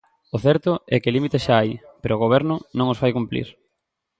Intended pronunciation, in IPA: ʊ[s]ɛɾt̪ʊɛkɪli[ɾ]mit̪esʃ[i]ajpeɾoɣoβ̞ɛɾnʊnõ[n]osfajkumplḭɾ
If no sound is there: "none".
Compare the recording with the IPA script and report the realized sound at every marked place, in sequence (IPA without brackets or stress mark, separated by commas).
θ, none, a, ŋ